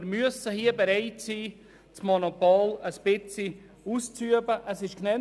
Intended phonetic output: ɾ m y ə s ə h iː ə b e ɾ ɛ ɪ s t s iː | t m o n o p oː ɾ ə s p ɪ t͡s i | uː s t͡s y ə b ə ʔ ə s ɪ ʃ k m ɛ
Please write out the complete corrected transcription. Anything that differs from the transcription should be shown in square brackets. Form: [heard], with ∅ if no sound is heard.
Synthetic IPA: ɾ m y ə s ə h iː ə b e ɾ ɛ ɪ [∅] t s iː | [t͡s] m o n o p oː [l] ə s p ɪ t͡s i | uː s t͡s y ə b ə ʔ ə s ɪ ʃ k [n] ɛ

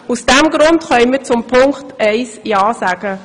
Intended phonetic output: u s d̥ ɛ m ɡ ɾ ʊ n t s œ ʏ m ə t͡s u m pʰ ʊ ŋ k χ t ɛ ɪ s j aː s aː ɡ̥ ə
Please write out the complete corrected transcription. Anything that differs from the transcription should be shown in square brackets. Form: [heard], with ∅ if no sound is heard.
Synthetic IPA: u s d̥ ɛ m ɡ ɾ ʊ n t [χ] œ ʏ m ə t͡s [ʊ] m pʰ ʊ ŋ k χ t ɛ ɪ s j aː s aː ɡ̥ ə

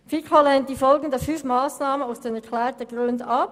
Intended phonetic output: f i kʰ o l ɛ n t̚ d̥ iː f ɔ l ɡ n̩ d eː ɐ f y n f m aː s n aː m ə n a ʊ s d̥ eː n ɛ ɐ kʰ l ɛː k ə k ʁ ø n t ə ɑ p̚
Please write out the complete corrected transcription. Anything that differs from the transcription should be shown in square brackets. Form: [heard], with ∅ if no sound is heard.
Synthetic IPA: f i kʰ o l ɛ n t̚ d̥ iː f ɔ l ɡ n̩ d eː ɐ f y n f m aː s n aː m ə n a ʊ s d̥ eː n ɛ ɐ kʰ l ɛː [t] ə [ɡ] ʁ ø n [d] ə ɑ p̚

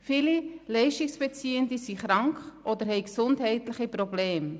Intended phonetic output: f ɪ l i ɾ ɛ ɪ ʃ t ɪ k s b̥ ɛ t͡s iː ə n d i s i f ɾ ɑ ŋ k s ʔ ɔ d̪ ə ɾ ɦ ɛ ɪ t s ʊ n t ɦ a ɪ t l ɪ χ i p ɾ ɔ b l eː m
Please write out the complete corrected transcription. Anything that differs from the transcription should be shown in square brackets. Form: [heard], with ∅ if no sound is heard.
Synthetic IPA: f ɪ l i [l] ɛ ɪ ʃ t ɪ k s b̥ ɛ t͡s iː ə n d i s i [χ] ɾ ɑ ŋ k [χ] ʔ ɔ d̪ ə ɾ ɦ ɛ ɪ [k] s ʊ n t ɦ [ɛ] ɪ t l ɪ χ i p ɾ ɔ b l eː m

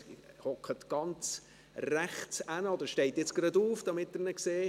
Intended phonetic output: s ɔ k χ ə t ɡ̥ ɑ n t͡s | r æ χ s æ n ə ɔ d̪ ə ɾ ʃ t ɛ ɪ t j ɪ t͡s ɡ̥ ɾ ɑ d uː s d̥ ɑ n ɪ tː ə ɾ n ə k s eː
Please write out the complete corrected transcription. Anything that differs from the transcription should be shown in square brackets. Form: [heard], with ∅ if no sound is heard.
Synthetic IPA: [h] ɔ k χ ə t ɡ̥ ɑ n t͡s | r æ χ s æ n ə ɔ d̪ ə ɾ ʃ t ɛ ɪ t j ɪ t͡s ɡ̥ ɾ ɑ d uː [f] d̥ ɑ [m] ɪ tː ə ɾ n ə k s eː

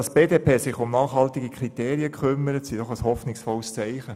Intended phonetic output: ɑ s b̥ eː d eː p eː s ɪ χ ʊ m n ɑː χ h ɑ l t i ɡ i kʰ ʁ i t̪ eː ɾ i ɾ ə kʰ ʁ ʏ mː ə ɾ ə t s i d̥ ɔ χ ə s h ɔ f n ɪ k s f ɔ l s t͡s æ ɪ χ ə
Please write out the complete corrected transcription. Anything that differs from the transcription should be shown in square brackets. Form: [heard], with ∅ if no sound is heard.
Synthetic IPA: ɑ s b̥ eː d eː p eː s ɪ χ ʊ m n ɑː χ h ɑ l t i ɡ i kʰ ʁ i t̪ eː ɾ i [∅] ə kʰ [χ] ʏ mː ə ɾ ə t s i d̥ ɔ χ ə s h ɔ f n ɪ k s f ɔ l s t͡s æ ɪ χ ə

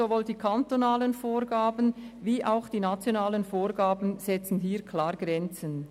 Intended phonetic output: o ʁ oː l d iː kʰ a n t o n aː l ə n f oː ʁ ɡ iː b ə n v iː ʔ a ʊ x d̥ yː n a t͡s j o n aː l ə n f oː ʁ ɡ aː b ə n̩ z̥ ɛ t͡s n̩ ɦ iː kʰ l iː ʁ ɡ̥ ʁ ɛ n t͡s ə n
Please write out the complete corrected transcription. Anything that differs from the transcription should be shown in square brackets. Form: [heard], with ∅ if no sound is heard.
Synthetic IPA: o [v] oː l d iː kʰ a n t o n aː l ə n f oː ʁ ɡ [aː] b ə n v iː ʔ a ʊ x d̥ [iː] n a t͡s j o n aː l ə n f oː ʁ ɡ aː b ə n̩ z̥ ɛ t͡s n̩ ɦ iː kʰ l [aː] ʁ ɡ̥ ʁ ɛ n t͡s ə n

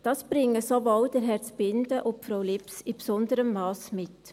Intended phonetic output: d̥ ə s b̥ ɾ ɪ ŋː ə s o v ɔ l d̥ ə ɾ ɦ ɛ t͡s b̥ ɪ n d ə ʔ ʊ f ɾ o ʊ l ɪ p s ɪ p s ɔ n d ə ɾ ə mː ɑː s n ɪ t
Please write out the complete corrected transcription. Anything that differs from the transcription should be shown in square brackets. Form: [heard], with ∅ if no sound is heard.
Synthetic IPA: d̥ [ɑ] s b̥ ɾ ɪ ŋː ə s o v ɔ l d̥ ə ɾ ɦ ɛ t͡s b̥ ɪ n d ə ʔ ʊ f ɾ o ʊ l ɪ p s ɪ p s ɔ n d ə ɾ ə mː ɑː s [m] ɪ t

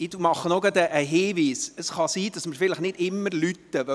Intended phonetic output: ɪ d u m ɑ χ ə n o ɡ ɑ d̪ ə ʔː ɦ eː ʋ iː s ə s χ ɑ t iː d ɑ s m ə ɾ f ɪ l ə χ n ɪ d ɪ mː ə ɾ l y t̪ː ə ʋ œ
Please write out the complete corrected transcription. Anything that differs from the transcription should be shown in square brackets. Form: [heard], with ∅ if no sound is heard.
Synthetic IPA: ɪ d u m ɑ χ ə n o ɡ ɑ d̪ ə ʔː ɦ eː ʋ iː s ə s χ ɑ [s] iː d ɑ s m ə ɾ f ɪ l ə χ n ɪ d ɪ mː ə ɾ l y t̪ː ə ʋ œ

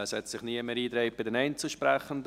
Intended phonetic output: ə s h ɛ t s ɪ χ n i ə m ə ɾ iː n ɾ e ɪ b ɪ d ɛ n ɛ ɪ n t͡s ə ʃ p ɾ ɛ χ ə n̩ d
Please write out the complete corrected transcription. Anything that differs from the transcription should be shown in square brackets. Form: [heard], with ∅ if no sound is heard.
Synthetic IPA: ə s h ɛ t s ɪ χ n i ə m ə ɾ iː [d] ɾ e ɪ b ɪ d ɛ n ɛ ɪ n t͡s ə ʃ p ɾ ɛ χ ə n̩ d

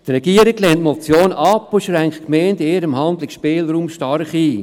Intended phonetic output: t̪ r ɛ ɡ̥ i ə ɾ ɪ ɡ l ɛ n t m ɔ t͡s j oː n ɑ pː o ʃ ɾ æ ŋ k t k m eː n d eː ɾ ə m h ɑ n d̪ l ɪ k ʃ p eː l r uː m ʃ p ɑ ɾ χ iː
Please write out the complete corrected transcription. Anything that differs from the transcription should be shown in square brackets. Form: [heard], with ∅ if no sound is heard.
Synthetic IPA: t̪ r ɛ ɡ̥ i ə ɾ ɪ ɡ l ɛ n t m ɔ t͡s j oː n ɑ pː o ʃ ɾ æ ŋ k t k m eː n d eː ɾ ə m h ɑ n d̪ l ɪ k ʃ p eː l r uː m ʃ [t] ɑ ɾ χ iː

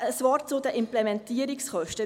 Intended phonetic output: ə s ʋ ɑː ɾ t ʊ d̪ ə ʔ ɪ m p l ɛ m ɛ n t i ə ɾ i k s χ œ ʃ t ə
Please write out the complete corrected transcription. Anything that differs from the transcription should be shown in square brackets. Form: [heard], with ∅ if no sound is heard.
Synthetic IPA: ə s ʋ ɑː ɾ [t͡s] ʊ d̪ ə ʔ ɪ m p l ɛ m ɛ n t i ə ɾ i k s χ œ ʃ t ə

